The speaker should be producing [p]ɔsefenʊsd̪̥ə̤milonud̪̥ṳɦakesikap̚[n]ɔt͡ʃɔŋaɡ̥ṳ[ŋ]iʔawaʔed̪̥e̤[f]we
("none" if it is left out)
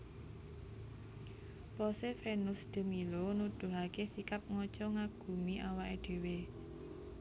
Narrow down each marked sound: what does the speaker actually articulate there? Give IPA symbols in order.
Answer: p, ŋ, m, none

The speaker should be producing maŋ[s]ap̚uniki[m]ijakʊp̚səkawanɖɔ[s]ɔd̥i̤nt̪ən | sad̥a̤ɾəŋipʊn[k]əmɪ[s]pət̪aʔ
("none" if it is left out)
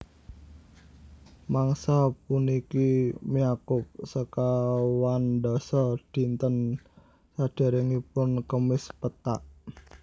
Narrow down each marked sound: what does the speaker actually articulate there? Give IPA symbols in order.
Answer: s, m, s, k, s

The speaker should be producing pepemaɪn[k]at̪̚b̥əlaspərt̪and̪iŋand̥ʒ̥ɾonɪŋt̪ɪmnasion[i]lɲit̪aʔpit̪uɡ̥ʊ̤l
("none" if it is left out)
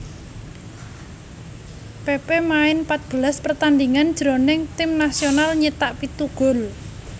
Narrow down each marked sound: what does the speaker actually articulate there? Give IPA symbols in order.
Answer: p, a

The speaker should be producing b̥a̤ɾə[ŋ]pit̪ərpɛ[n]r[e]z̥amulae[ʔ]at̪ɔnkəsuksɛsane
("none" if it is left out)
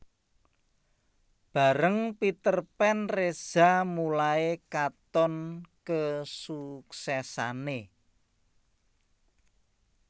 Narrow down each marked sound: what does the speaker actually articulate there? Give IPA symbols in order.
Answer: ŋ, n, e, k

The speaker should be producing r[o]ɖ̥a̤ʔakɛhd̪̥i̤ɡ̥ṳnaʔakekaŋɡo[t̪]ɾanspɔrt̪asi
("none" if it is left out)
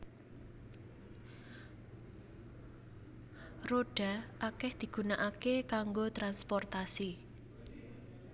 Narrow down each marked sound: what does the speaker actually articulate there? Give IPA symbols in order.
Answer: o, t̪

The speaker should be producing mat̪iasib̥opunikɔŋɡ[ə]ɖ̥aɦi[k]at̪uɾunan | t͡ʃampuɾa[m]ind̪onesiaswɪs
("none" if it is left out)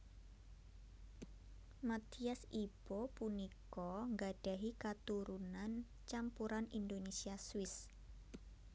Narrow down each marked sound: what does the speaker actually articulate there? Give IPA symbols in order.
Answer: a, k, n

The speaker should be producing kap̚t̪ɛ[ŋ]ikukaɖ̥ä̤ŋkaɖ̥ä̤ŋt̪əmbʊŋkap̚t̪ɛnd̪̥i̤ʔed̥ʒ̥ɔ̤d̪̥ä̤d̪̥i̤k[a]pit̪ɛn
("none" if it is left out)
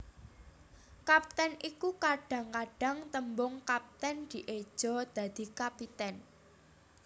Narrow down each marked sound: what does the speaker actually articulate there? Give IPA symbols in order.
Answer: n, a

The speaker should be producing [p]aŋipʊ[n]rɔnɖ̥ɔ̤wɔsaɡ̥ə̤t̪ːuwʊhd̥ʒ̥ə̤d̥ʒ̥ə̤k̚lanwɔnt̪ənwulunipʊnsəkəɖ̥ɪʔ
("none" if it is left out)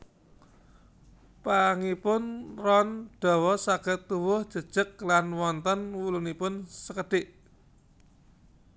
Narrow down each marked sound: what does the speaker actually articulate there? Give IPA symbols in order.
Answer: p, n

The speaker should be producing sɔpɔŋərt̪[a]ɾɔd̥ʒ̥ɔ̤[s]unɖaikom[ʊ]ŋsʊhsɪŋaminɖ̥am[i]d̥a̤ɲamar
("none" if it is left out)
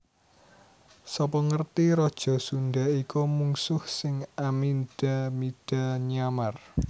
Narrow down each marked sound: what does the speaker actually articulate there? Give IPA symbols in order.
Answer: i, s, u, i

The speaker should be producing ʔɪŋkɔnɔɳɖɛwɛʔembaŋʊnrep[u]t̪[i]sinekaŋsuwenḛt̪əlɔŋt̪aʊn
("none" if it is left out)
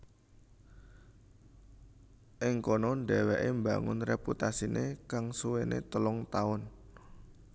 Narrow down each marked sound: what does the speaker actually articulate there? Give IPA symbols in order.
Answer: u, a

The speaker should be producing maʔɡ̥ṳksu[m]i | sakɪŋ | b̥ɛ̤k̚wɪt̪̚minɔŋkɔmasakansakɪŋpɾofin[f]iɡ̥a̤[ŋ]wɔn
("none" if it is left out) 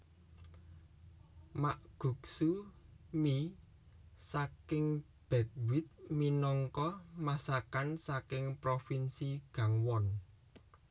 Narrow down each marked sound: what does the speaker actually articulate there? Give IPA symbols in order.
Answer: m, s, ŋ

